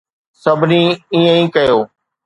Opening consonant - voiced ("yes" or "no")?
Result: no